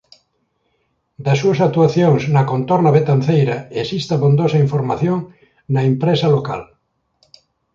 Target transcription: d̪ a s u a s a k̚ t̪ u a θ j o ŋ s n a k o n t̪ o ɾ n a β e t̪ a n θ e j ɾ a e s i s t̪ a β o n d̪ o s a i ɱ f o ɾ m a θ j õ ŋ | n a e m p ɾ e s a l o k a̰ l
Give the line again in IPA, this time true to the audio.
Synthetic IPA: d̪ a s u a s a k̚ t̪ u a θ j o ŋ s n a k o n t̪ o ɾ n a β e t̪ a n θ e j ɾ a e s i s t̪ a β o n d̪ o s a i ɱ f o ɾ m a θ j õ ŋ | n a e m p ɾ e s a l o k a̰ l